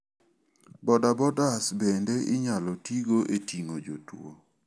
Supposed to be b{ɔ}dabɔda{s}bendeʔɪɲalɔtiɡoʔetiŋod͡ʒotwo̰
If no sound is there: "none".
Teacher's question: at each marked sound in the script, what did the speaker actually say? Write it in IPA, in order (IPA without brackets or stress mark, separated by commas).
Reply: ɔ, s